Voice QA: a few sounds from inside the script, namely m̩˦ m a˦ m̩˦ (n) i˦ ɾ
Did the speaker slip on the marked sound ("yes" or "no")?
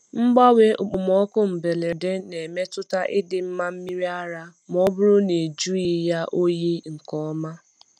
yes